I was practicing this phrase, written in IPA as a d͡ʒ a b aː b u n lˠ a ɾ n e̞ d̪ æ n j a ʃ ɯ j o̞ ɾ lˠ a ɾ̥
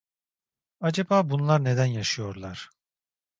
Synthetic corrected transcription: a d͡ʒ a b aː b u n lˠ a ɾ n e̞ d̪ æ n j a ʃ ɯ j o̞ ɾ lˠ a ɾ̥